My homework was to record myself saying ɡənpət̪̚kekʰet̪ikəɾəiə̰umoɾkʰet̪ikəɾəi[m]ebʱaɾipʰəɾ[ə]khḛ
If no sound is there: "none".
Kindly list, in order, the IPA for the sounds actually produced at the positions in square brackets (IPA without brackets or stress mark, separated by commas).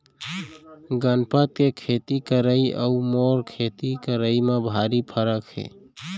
m, ə